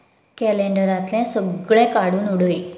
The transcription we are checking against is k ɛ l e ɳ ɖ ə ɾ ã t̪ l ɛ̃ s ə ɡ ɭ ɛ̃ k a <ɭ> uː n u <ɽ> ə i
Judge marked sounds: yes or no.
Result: no, yes

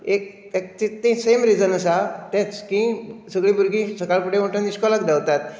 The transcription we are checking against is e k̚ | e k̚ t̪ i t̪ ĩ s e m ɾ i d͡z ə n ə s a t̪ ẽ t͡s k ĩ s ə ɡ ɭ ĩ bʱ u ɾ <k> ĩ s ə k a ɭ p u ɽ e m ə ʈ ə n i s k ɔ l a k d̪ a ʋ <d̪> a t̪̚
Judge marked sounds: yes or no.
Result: no, no

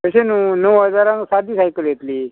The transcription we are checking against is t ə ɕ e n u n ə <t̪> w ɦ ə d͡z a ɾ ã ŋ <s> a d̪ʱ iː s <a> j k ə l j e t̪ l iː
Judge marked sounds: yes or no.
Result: no, yes, yes

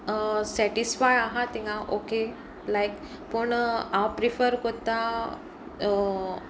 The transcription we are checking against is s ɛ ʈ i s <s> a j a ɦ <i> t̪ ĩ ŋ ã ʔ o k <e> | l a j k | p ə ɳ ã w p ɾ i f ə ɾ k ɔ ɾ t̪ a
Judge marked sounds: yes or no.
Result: no, no, yes

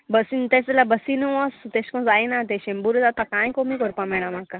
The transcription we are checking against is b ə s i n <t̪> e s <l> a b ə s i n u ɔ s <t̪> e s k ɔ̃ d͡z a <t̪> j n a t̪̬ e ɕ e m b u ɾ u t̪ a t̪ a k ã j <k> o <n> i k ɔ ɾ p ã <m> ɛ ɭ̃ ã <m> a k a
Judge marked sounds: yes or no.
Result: yes, yes, yes, no, yes, no, yes, yes

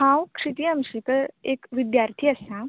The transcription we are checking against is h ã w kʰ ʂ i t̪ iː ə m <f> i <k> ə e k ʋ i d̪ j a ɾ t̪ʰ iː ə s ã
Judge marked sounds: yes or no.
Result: no, yes

